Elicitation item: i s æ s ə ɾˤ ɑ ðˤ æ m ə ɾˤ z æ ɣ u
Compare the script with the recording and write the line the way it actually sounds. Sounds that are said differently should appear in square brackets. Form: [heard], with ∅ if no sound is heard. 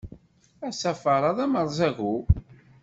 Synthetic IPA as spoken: [æ] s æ [f] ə ɾˤ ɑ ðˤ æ m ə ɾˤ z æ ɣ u